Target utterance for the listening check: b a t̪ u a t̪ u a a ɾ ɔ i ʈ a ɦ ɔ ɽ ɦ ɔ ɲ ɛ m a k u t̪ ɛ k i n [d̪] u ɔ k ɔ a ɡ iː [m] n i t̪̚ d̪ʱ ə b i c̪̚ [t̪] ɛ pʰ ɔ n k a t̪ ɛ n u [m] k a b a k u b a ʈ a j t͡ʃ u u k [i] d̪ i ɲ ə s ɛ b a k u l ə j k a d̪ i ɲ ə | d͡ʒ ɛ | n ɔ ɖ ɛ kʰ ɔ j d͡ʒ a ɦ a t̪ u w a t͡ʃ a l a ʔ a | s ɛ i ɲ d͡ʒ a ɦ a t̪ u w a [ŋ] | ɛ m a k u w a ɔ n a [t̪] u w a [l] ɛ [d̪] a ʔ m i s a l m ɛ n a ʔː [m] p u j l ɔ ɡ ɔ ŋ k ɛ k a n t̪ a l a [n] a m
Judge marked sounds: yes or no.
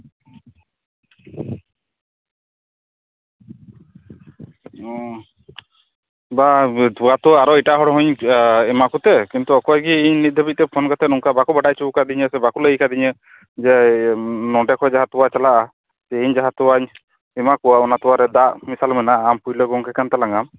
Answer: no, no, yes, no, no, no, yes, no, yes, yes, no

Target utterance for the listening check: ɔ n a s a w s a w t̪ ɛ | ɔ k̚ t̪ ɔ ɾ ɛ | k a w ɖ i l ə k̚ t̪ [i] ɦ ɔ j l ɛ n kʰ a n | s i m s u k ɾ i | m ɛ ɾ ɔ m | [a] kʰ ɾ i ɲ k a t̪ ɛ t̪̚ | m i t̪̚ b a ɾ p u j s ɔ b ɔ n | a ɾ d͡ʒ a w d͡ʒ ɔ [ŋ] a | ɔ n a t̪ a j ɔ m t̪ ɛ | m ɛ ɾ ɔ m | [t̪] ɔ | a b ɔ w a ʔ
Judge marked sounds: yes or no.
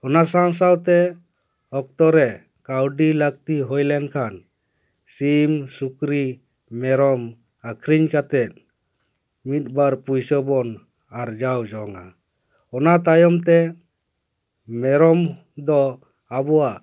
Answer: yes, yes, yes, no

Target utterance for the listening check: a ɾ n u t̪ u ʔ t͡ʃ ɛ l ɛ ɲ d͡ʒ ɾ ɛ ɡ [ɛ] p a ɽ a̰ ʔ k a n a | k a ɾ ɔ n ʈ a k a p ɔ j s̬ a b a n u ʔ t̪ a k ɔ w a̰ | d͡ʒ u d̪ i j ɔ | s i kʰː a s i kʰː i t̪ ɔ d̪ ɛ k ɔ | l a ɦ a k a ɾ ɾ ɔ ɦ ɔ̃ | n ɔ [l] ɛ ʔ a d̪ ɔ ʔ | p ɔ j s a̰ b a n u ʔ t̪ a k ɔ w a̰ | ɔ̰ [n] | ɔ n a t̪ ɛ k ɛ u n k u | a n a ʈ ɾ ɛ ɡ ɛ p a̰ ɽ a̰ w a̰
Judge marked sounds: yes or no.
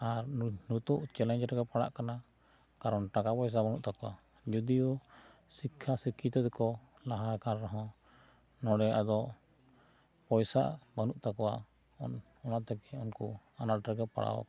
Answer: yes, no, yes

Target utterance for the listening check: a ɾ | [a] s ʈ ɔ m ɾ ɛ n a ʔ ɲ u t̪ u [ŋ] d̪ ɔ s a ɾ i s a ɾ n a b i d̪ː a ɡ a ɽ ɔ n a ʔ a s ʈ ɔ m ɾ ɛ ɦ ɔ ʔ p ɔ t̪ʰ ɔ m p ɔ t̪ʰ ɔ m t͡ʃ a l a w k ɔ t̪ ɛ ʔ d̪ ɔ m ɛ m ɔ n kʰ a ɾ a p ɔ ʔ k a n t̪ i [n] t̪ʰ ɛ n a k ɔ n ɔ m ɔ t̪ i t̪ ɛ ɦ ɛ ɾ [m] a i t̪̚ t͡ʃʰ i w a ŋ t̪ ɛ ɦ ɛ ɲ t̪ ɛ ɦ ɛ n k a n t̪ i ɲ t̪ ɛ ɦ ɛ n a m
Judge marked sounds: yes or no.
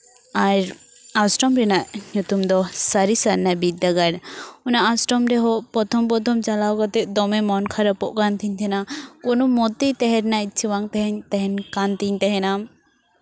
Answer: yes, no, no, no

